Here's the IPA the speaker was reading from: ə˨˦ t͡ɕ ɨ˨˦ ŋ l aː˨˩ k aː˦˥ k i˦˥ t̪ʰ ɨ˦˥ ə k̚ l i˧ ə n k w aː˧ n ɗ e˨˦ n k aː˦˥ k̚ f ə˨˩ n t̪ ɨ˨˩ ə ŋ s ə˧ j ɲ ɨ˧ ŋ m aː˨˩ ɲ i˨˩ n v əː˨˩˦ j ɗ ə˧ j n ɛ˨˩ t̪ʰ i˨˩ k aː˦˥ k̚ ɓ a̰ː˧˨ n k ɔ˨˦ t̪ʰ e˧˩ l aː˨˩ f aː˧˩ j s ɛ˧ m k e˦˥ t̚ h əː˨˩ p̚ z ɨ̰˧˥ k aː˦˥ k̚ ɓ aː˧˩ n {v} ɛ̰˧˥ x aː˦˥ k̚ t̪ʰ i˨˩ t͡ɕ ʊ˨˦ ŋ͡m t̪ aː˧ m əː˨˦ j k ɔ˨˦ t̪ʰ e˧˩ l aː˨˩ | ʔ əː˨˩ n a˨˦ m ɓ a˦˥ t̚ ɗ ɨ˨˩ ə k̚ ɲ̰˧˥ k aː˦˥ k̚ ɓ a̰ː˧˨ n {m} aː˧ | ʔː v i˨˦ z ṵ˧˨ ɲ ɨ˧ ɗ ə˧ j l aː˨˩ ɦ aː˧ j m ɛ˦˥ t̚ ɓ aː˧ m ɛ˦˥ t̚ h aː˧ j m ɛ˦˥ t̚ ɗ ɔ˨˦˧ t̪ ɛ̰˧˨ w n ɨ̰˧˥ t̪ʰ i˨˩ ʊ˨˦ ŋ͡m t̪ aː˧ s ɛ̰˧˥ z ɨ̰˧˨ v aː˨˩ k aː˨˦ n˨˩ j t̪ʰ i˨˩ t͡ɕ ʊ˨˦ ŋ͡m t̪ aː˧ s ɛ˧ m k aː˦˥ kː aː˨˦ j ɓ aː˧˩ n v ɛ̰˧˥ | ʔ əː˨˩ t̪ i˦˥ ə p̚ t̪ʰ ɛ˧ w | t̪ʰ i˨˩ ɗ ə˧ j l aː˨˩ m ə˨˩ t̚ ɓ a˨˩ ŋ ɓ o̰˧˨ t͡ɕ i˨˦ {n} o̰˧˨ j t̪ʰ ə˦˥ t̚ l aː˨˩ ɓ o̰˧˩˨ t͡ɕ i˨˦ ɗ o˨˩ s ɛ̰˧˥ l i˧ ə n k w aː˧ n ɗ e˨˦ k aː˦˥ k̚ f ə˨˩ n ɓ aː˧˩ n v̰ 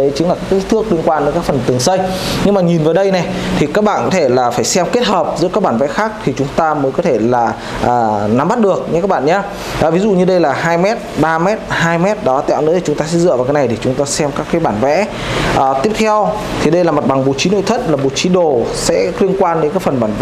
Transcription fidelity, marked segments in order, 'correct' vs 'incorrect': correct, incorrect: ɲ, correct

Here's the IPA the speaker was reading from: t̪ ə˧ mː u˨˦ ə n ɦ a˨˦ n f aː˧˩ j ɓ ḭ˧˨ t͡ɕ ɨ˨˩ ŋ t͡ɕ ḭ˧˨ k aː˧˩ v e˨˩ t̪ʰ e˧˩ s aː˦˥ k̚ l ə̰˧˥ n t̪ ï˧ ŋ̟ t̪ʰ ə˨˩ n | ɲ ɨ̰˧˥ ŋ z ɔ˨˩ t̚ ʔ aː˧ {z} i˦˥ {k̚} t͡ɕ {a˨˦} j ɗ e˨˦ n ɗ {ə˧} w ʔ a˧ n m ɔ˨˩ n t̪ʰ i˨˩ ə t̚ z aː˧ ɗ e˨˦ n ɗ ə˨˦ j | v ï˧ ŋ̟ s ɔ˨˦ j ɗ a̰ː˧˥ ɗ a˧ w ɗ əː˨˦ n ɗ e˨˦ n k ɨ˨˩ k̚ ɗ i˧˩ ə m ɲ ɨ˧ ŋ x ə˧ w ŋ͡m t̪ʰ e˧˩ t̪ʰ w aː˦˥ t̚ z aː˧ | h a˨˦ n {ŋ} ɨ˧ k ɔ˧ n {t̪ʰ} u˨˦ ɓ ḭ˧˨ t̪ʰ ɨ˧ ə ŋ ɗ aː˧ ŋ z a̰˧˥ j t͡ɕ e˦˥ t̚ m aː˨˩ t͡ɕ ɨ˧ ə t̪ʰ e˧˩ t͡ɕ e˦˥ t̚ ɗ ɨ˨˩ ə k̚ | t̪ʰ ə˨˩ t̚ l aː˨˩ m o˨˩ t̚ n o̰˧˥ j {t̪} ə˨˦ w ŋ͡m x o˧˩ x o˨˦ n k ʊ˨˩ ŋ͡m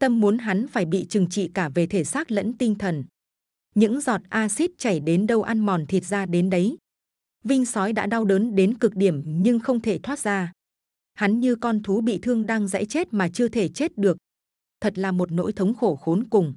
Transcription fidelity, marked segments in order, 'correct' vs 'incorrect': incorrect: s, incorrect: t̚, incorrect: a˧˩, correct, incorrect: ɲ, correct, incorrect: t̪ʰ

